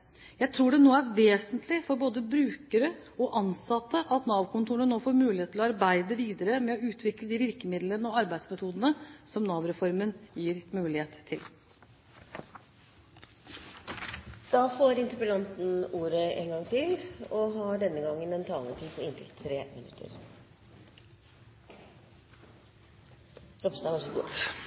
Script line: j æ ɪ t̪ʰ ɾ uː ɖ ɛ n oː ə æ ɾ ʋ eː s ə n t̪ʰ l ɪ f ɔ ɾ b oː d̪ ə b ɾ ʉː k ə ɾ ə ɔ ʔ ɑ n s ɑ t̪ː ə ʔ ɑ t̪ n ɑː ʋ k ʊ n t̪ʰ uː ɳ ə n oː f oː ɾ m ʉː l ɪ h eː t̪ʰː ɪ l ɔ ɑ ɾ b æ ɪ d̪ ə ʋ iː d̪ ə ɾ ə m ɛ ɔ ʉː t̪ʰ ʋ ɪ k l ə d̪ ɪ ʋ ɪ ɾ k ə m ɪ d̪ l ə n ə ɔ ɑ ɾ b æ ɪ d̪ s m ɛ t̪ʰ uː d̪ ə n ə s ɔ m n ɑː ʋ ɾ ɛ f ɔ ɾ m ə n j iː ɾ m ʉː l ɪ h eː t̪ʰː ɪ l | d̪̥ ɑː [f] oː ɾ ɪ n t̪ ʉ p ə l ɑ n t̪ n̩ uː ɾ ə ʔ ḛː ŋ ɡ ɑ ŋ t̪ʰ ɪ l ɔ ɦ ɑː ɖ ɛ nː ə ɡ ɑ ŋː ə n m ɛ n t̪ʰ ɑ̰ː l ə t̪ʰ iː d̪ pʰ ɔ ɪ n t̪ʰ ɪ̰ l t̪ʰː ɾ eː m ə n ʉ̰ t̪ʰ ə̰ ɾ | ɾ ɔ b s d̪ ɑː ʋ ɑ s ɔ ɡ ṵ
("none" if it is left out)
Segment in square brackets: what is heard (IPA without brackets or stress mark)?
f